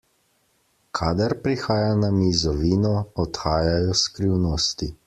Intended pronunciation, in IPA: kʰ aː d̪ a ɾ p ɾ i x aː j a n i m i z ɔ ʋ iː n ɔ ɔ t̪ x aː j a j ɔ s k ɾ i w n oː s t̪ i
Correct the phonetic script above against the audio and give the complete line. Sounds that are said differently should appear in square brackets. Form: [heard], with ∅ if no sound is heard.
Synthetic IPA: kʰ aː d̪ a ɾ p ɾ i x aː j a n [a] m i z ɔ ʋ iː n ɔ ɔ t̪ x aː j a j ɔ s k ɾ i w n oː s t̪ i